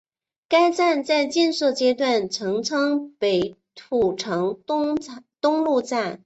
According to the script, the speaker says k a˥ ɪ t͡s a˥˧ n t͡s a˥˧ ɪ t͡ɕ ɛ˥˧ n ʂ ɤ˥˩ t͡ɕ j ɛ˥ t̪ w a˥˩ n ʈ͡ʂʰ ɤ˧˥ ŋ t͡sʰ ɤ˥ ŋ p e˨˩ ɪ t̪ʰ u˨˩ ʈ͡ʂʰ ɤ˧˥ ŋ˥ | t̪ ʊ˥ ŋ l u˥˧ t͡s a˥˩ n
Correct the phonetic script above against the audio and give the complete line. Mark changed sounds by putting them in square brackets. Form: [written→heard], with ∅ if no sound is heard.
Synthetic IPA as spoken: k a˥ ɪ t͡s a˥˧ n t͡s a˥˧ ɪ t͡ɕ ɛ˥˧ n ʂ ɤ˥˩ t͡ɕ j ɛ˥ t̪ w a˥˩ n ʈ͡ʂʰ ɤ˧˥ ŋ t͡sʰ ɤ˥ ŋ p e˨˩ ɪ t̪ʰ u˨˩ ʈ͡ʂʰ ɤ˧˥ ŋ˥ | t̪ ʊ˥ ŋ l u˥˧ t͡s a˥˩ n